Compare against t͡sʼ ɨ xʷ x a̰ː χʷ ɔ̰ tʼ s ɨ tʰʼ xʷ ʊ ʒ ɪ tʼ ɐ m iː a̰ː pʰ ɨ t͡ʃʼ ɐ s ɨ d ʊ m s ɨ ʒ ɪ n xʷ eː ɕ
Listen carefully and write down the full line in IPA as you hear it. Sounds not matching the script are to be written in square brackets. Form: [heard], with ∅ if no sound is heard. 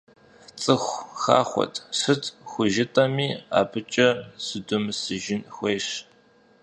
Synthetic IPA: t͡sʼ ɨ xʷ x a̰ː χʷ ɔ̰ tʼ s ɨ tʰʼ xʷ ʊ ʒ ɪ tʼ ɐ m iː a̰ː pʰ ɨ t͡ʃʼ ɐ s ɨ d ʊ m s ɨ ʒ ɪ n xʷ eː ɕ